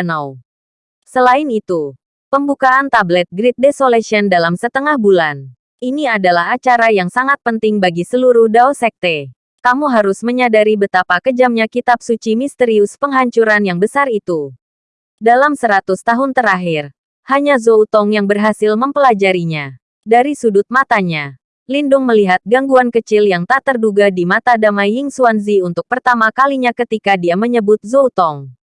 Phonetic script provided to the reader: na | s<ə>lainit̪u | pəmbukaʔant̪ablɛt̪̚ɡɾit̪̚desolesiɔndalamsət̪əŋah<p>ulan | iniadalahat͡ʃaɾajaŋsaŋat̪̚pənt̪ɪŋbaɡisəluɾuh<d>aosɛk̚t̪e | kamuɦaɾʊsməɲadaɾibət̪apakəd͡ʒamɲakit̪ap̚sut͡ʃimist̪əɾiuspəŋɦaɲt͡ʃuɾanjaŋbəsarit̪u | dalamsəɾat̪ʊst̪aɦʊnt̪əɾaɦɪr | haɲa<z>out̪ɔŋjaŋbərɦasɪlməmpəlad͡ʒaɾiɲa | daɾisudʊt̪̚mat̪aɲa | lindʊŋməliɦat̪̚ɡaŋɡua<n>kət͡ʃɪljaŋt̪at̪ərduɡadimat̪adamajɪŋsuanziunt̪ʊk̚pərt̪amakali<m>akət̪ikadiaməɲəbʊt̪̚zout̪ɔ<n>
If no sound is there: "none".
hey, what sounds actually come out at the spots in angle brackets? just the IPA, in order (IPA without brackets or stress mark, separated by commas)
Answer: ə, b, d, z, n, ɲ, ŋ